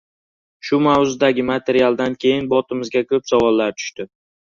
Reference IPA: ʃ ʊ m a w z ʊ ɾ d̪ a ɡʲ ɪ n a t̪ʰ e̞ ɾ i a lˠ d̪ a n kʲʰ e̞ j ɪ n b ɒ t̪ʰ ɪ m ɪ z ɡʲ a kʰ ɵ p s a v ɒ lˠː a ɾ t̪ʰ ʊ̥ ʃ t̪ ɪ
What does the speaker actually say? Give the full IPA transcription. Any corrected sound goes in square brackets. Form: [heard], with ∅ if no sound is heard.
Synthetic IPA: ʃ ʊ m a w z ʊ [∅] d̪ a ɡʲ ɪ [m] a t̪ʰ e̞ ɾ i a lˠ d̪ a n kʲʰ e̞ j ɪ n b ɒ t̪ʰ ɪ m ɪ z ɡʲ a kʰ ɵ p s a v ɒ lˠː a ɾ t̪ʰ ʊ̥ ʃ t̪ ɪ